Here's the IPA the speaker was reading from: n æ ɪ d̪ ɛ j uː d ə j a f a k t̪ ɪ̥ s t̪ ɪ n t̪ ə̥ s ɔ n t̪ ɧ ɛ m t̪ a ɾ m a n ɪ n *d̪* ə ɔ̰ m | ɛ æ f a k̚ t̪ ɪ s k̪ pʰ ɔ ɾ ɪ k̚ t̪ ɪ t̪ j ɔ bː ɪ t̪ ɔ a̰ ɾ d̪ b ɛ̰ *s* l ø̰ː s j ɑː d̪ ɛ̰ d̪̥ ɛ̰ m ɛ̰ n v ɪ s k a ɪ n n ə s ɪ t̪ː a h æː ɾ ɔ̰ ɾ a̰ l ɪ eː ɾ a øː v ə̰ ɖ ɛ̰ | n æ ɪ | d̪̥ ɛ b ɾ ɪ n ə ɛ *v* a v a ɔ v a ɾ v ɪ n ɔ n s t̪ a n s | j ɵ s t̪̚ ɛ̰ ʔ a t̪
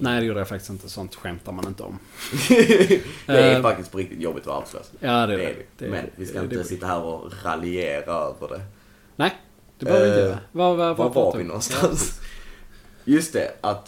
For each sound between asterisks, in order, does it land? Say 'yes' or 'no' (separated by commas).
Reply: no, yes, yes